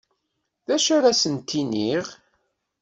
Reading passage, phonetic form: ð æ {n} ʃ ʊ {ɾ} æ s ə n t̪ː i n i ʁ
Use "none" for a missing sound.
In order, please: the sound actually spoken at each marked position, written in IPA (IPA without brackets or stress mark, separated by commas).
none, ɾ